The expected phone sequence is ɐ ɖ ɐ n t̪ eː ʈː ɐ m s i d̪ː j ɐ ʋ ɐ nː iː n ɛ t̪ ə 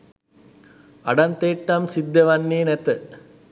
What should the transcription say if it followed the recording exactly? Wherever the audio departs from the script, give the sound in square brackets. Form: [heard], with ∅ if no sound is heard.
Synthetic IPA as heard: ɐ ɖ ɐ n t̪ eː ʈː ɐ m s i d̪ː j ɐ ʋ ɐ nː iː n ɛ t̪ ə